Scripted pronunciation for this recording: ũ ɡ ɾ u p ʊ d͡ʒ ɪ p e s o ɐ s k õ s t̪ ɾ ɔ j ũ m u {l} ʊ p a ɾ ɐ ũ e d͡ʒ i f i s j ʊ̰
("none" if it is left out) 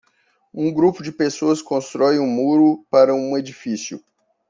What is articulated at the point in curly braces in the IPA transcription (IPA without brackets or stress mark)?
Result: ɾ